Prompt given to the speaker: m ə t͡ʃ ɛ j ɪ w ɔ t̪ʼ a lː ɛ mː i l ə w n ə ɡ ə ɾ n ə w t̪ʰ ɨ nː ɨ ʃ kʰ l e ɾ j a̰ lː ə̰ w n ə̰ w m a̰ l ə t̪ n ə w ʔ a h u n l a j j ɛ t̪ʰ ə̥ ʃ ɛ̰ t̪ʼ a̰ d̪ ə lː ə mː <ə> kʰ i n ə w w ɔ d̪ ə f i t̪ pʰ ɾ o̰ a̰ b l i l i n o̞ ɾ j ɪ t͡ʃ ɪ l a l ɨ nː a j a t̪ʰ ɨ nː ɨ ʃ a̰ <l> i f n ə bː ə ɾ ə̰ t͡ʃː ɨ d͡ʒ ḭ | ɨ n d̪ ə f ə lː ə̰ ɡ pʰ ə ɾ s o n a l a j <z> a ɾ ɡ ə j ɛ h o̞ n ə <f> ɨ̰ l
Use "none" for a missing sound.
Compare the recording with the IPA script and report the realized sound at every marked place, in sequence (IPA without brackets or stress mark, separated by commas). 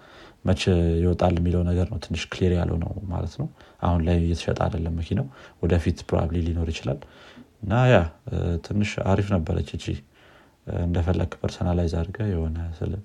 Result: ə, ɾ, z, s